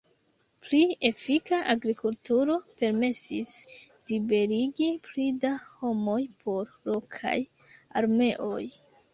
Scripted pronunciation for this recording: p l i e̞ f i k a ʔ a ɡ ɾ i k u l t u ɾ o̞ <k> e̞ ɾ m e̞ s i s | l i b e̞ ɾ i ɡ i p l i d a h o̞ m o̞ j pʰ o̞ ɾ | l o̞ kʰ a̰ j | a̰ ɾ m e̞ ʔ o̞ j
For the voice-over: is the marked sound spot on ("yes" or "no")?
no